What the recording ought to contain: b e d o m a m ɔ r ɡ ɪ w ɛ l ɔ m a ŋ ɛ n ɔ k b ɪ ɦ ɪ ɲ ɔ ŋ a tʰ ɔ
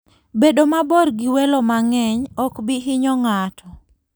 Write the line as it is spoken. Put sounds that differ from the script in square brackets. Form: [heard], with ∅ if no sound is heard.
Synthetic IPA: b e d o m a [b] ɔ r ɡ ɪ w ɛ l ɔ m a ŋ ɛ [ɲ] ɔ k b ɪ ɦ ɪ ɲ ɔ ŋ a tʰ ɔ